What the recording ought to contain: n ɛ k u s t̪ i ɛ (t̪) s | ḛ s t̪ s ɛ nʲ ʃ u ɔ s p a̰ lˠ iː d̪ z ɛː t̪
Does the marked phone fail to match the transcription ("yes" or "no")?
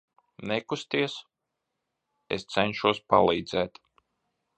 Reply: yes